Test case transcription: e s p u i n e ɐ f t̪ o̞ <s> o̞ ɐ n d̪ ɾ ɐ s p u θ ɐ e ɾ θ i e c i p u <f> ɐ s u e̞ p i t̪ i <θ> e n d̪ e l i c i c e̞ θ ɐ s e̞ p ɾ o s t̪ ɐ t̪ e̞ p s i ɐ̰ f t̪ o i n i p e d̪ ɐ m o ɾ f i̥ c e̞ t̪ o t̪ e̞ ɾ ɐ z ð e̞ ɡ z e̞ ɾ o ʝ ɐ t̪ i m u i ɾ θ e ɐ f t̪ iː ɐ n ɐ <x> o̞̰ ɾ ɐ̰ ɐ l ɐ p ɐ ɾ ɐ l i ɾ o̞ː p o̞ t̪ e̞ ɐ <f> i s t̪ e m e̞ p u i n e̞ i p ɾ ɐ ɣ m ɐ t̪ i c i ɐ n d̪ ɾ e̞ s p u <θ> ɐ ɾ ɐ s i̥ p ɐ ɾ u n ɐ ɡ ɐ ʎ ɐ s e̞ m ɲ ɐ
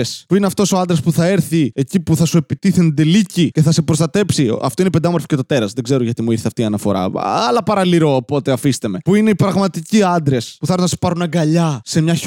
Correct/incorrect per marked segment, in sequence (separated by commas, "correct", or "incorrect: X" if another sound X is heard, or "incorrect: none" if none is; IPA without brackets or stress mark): correct, incorrect: θ, correct, incorrect: f, correct, correct